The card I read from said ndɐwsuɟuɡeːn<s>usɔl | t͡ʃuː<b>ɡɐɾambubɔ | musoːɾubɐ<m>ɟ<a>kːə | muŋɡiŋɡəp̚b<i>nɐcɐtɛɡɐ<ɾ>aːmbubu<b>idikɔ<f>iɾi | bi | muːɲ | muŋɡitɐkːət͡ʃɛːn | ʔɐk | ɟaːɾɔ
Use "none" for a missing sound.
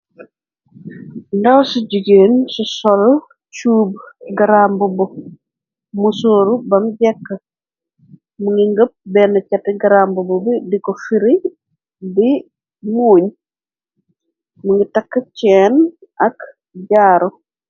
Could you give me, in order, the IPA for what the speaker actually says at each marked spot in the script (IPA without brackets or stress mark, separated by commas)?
s, b, m, ɛ, ɛ, ɾ, b, f